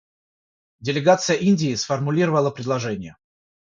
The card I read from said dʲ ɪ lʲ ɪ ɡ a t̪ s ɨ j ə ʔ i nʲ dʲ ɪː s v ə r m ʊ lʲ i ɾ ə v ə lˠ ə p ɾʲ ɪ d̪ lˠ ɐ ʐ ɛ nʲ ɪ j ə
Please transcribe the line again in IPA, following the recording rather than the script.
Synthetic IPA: dʲ ɪ lʲ ɪ ɡ a t̪ s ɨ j ə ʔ i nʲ dʲ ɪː s f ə r m ʊ lʲ i ɾ ə v ə lˠ ə p ɾʲ ɪ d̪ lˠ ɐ ʐ ɛ nʲ ɪ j ə